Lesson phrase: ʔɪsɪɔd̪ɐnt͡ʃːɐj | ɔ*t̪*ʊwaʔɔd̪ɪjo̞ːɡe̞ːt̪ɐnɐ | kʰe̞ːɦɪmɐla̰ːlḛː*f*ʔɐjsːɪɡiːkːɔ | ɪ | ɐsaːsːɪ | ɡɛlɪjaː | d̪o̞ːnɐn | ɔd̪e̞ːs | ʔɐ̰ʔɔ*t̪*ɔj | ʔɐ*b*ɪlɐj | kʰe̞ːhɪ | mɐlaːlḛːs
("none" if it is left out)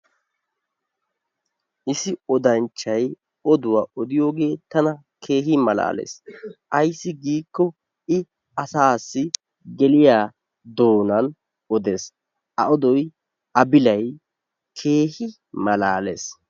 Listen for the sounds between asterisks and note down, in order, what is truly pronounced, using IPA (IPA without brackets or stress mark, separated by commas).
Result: d̪, s, d̪, b